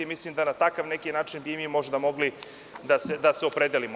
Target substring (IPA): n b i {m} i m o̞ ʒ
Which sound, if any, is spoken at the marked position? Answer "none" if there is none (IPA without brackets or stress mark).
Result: m